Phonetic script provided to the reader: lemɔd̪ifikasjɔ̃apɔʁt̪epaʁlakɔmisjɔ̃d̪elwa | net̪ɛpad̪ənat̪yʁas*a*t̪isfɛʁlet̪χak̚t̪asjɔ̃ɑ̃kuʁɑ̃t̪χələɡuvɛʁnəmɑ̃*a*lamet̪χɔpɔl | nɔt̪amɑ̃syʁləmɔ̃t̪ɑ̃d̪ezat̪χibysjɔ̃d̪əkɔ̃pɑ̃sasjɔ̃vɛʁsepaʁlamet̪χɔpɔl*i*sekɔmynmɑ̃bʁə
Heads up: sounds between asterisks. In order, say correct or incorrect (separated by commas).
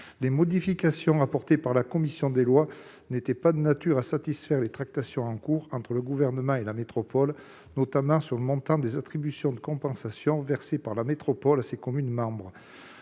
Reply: correct, incorrect, incorrect